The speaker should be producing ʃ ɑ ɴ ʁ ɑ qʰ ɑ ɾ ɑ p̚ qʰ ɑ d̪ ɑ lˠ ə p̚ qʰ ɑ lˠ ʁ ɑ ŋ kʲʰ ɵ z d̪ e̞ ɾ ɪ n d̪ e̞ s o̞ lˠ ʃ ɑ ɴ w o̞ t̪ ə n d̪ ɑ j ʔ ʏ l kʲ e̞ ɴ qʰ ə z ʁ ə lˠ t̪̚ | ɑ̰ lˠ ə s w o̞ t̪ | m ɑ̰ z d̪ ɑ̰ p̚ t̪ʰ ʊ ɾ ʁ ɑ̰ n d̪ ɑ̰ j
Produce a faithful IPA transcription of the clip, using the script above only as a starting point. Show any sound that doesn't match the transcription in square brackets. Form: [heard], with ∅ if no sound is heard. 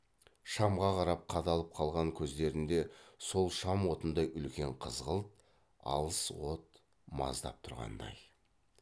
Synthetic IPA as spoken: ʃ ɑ [m] ʁ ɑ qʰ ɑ ɾ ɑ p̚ qʰ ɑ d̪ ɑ lˠ ə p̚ qʰ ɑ lˠ ʁ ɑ ŋ kʲʰ ɵ z d̪ e̞ ɾ ɪ n d̪ e̞ s o̞ lˠ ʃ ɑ [m] w o̞ t̪ ə n d̪ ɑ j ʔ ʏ l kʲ e̞ ɴ qʰ ə z ʁ ə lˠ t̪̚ | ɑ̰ lˠ ə s w o̞ t̪ | m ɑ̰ z d̪ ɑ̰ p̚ t̪ʰ ʊ ɾ ʁ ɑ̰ n d̪ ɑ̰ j